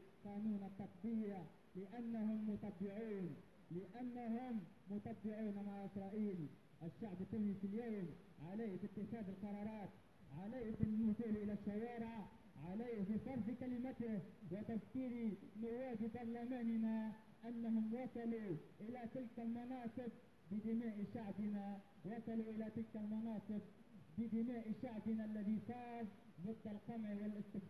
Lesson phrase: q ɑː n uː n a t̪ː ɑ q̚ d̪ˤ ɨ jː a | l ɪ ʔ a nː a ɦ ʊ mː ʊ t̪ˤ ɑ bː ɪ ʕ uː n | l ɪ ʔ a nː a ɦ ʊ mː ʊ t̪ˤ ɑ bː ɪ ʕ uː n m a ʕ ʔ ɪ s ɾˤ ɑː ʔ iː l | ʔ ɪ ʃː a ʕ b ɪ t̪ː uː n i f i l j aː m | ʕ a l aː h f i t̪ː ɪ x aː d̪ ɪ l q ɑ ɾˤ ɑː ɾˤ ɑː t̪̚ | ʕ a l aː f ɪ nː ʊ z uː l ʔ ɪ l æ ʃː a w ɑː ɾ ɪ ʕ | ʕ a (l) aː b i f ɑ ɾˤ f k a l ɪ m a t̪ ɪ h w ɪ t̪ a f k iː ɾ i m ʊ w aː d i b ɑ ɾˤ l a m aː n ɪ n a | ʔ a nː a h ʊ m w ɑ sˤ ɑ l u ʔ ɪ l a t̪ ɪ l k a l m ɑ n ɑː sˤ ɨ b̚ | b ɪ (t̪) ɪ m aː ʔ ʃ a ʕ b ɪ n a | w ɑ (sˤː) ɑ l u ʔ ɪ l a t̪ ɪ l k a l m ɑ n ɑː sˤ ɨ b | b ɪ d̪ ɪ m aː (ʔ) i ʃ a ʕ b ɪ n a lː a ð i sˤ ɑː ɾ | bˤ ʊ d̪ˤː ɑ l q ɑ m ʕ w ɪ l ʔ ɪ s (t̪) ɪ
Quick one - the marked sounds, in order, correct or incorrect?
correct, incorrect: d̪, incorrect: sˤ, correct, correct

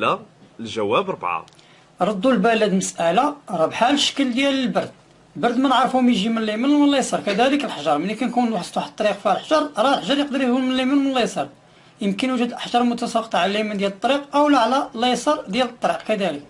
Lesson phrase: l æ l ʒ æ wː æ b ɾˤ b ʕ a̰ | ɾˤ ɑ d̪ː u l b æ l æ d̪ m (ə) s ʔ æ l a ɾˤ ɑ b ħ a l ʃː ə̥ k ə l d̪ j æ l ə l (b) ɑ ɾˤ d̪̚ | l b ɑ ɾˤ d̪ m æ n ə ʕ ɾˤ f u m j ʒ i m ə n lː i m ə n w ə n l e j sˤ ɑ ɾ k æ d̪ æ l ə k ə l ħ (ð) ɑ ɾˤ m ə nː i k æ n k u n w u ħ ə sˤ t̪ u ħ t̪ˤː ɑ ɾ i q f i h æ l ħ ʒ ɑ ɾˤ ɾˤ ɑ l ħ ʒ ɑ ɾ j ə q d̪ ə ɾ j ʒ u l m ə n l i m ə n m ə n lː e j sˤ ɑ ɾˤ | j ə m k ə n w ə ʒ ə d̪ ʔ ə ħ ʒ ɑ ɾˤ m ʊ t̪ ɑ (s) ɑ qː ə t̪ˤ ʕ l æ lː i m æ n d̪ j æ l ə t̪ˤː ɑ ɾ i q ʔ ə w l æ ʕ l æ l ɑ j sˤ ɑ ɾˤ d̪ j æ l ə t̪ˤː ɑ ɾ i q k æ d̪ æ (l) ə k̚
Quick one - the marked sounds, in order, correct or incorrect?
correct, correct, incorrect: ʒ, correct, correct

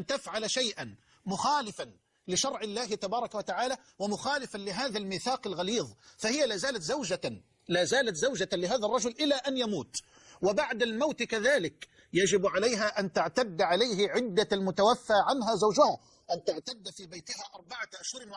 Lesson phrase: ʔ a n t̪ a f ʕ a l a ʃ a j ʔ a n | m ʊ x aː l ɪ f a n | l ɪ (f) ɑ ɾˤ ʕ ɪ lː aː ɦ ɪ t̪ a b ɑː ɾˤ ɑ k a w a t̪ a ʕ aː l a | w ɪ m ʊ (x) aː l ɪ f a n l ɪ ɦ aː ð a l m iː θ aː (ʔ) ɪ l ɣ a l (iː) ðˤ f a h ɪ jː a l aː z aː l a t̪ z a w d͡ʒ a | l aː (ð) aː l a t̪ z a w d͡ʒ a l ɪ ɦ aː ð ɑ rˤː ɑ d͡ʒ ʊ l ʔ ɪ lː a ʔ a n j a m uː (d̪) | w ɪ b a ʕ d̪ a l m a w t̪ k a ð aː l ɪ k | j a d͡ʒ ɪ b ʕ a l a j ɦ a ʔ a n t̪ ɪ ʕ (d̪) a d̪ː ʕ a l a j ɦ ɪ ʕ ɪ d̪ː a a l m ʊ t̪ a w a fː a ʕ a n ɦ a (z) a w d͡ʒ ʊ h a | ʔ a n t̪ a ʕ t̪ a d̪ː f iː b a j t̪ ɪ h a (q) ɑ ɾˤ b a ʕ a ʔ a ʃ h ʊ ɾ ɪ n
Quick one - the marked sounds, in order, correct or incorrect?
incorrect: ʃ, correct, incorrect: q, correct, incorrect: z, incorrect: t̪, incorrect: t̪, correct, incorrect: ʔ

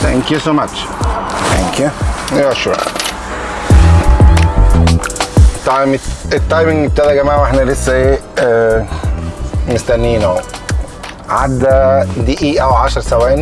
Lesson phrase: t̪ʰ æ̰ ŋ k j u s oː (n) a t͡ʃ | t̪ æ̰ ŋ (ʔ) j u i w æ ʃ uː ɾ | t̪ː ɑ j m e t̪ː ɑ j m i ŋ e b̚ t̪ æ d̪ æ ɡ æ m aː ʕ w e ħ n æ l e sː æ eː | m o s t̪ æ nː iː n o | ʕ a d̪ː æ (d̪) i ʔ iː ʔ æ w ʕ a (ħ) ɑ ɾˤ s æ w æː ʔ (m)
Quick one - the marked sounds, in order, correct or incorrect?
incorrect: m, incorrect: k, correct, incorrect: ʃ, incorrect: n

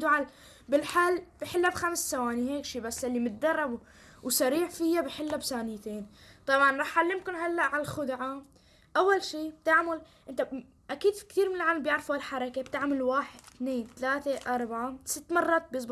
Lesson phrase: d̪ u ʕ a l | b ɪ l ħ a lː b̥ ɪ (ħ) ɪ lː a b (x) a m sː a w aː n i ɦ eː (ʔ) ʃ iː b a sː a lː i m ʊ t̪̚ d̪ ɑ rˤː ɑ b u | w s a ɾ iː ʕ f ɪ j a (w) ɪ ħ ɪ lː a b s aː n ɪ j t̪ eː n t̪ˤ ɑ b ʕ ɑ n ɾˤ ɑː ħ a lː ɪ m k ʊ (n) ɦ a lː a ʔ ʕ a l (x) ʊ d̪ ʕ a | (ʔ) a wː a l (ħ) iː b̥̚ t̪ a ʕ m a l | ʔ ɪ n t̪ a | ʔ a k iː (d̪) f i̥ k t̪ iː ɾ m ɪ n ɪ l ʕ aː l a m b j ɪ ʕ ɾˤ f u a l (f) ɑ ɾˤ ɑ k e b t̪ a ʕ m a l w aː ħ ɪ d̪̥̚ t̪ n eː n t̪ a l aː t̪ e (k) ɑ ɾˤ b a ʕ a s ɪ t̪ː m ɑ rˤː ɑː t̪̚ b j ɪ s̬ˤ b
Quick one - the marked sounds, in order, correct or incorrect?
correct, correct, incorrect: k, incorrect: b, correct, correct, correct, incorrect: ʃ, correct, incorrect: ħ, incorrect: ʔ

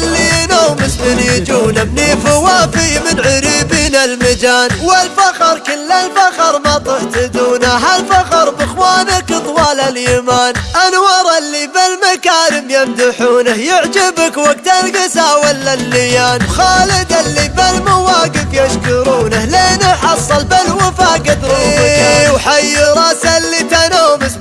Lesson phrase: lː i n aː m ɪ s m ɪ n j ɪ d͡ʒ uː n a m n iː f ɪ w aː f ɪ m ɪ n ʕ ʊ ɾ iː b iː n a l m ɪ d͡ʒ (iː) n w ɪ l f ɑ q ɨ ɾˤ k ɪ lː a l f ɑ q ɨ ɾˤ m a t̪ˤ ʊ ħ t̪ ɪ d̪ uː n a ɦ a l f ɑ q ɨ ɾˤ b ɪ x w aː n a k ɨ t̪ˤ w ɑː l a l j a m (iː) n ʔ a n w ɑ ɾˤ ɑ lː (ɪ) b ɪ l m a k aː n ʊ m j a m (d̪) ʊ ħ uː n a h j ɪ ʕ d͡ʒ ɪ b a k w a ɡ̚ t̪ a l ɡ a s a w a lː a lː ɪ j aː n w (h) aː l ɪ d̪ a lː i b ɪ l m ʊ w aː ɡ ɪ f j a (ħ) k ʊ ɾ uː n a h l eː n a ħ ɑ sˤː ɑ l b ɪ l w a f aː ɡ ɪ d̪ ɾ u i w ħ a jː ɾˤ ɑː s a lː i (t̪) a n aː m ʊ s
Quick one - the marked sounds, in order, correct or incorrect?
incorrect: aː, incorrect: aː, incorrect: i, correct, incorrect: x, incorrect: ʃ, correct

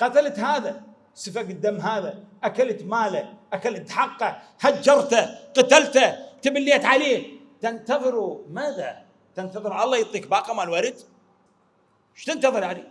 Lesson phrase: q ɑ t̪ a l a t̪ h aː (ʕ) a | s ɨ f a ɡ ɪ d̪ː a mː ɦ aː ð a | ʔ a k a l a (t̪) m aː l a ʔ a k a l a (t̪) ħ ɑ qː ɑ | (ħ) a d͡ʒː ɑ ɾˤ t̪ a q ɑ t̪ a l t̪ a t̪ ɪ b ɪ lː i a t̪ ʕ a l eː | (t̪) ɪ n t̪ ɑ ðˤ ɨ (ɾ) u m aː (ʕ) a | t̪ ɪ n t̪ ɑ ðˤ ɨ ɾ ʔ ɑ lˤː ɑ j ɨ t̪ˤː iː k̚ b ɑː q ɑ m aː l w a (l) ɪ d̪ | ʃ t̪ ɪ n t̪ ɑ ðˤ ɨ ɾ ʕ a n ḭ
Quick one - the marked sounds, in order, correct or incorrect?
incorrect: ð, correct, correct, incorrect: h, correct, correct, incorrect: ð, incorrect: ɾ

